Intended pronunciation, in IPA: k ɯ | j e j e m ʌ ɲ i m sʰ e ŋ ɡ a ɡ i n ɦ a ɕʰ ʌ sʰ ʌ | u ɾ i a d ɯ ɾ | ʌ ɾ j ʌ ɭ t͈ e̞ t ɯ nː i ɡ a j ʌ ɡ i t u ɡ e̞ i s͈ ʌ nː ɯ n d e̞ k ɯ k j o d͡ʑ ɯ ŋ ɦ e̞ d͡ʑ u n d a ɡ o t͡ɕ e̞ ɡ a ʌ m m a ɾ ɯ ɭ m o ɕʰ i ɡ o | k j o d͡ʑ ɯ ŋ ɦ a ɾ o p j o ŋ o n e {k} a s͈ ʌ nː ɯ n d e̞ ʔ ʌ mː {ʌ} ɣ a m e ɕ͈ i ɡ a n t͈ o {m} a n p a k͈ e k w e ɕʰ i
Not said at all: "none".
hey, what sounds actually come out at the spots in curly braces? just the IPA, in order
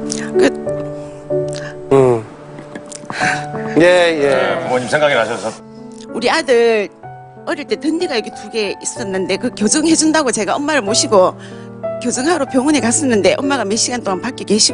k, a, ŋ

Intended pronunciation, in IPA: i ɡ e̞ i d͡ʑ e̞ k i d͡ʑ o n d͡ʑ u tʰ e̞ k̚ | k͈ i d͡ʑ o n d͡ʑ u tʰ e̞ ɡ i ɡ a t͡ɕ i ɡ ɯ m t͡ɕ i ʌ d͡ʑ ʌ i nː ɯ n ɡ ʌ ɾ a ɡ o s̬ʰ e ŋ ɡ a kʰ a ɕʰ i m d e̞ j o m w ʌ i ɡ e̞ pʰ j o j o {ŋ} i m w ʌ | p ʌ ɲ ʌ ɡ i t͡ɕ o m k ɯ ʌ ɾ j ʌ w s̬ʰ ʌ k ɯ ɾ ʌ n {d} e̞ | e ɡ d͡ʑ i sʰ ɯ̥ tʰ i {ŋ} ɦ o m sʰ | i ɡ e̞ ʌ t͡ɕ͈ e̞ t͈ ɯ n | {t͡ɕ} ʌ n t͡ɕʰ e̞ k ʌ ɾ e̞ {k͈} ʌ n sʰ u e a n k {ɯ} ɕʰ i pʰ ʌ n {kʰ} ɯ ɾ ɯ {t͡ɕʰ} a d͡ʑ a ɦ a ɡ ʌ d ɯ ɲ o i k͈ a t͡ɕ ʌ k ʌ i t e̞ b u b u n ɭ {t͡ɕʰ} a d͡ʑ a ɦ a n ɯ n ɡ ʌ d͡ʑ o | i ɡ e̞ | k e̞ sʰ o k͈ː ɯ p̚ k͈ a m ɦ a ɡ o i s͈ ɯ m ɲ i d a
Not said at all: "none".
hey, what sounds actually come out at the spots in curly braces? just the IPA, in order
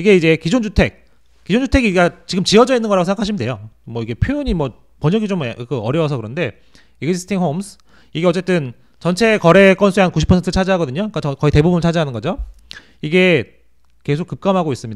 ɲ, d, ŋ, t͡ɕ, k͈, u, tʰ, t͡ɕʰ, t͡ɕʰ

